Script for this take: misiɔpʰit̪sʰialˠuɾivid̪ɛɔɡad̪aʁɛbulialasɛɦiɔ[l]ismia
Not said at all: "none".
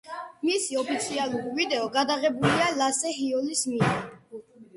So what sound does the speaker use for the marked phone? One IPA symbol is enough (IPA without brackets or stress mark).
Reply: l